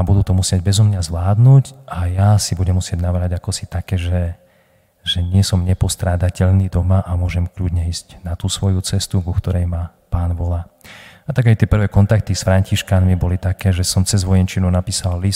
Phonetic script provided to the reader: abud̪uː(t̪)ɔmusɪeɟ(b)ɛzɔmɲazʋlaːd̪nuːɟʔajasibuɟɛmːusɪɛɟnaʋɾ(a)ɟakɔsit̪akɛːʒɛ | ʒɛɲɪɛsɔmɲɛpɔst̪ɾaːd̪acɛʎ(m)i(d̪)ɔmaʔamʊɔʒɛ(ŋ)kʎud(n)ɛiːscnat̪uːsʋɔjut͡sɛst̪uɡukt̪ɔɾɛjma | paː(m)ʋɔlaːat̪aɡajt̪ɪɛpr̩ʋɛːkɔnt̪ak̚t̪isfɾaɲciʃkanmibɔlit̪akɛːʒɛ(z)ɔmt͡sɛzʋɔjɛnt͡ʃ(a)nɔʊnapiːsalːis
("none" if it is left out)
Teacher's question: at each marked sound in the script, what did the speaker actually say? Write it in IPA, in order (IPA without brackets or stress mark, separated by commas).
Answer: t̪, b, a, n, d̪, m, ɲ, n, s, i